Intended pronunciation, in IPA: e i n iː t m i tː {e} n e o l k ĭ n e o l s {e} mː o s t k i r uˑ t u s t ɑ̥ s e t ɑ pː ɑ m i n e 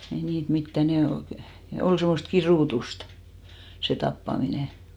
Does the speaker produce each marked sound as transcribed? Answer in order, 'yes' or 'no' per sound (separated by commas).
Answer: no, yes